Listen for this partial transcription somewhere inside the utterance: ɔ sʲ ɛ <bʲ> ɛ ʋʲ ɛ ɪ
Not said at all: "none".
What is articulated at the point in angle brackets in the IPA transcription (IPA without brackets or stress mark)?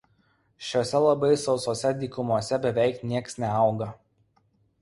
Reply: bʲ